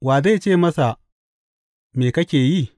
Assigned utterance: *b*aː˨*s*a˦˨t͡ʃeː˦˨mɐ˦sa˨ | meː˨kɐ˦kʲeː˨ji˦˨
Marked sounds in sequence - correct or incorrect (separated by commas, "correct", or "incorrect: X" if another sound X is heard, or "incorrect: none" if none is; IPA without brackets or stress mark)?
incorrect: w, incorrect: z